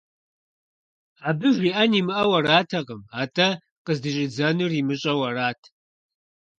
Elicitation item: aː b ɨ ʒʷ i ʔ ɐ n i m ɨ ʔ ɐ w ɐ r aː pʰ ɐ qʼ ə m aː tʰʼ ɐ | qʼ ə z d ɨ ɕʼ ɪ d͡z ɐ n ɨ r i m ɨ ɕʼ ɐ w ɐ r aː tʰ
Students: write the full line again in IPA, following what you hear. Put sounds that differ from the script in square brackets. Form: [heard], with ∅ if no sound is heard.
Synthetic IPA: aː b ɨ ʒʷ i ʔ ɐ n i m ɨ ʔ ɐ w ɐ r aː [tʰ] ɐ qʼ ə m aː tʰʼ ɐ | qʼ ə z d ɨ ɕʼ ɪ d͡z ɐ n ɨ r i m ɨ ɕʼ ɐ w ɐ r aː tʰ